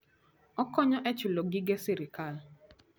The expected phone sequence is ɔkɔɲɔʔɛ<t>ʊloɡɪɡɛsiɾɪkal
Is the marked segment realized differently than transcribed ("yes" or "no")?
yes